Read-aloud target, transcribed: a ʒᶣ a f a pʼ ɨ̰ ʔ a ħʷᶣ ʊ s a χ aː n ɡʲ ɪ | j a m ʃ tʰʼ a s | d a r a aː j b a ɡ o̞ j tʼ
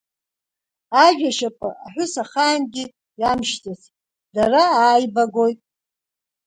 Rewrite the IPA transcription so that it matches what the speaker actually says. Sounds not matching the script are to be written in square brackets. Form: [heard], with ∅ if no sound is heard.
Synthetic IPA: a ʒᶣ a [ʃ] a pʼ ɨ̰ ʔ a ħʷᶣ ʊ s a χ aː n ɡʲ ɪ | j a m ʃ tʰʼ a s | d a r a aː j b a ɡ o̞ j tʼ